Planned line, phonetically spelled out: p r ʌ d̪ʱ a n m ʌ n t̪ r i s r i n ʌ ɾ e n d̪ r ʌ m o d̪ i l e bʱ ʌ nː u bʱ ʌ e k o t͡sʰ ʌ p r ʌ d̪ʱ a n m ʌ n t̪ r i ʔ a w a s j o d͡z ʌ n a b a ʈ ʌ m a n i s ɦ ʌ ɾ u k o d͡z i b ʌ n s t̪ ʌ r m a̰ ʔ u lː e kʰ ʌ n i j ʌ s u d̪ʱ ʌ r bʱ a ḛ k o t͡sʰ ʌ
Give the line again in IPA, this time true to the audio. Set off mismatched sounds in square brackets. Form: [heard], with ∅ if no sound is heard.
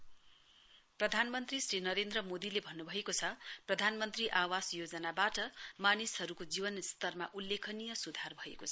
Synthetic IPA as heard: p r ʌ d̪ʱ a n m ʌ n t̪ r i s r i n ʌ ɾ e n d̪ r ʌ m o d̪ i l e bʱ ʌ nː u bʱ ʌ e k o t͡sʰ ʌ p r ʌ d̪ʱ a n m ʌ n t̪ r i ʔ a w a s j o d͡z ʌ n a b a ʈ ʌ m a n i s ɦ ʌ ɾ u k o d͡z i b ʌ n s t̪ ʌ r m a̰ ʔ u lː e kʰ ʌ n i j ʌ s u d̪ʱ [a] r bʱ [ʌ] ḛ k o t͡sʰ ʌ

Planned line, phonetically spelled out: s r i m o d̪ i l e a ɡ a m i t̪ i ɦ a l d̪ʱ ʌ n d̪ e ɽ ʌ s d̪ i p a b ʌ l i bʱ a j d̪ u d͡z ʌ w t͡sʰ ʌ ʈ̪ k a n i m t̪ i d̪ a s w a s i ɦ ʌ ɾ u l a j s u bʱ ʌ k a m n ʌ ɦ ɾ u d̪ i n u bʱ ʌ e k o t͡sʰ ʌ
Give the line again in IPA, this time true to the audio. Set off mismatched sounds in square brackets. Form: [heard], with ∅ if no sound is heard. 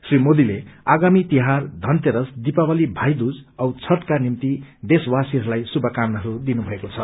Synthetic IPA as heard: s r i m o d̪ i l e a ɡ a m i t̪ i ɦ a [r] d̪ʱ ʌ n [t̪] e [ɾ] ʌ s d̪ i p a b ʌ l i bʱ a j d̪ u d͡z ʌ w t͡sʰ ʌ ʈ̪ k a n i m t̪ i d̪ [e] s w a s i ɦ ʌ ɾ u l a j s u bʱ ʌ k a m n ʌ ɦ ɾ u d̪ i n u bʱ ʌ e k o t͡sʰ ʌ

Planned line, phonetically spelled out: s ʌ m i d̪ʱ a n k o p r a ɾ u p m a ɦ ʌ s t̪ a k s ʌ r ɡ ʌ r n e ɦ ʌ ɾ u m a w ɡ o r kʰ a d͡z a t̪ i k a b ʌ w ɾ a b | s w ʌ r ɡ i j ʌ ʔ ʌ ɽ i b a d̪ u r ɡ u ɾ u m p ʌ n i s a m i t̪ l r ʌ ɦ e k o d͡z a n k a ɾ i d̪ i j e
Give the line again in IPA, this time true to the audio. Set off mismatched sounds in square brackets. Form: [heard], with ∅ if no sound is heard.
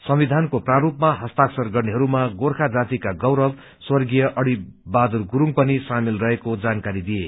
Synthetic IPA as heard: s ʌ m i d̪ʱ a n k o p r a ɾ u p m a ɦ ʌ s t̪ a k s ʌ r ɡ ʌ r n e ɦ ʌ ɾ u m a [∅] ɡ o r kʰ a d͡z a t̪ i k a [ɡ] ʌ w ɾ [ʌ] b | s w ʌ r ɡ i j ʌ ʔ ʌ ɽ i b a d̪ u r ɡ u ɾ u [ŋ] p ʌ n i s a m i [∅] l r ʌ ɦ e k o d͡z a n k a ɾ i d̪ i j e

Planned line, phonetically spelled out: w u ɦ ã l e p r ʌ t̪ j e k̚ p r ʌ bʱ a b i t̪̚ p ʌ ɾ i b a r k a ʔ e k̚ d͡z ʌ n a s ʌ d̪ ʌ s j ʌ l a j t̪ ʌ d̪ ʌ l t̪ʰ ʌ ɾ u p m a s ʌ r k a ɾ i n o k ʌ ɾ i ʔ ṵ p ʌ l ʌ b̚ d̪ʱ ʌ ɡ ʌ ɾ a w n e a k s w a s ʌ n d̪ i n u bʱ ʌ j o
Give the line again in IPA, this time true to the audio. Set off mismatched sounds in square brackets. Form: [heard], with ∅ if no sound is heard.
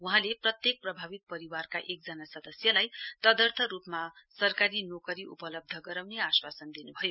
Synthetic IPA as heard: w u ɦ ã l e p r ʌ t̪ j e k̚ p r ʌ bʱ a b i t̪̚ p ʌ ɾ i [w] a r k a ʔ e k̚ d͡z ʌ n a s ʌ d̪ ʌ s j ʌ l a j t̪ ʌ d̪ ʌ [r] t̪ʰ ʌ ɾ u p m a s ʌ r k a ɾ i n o k ʌ ɾ i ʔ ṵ p ʌ l ʌ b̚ d̪ʱ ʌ ɡ ʌ ɾ a w n e a [∅] s w a s ʌ n d̪ i n u bʱ ʌ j o

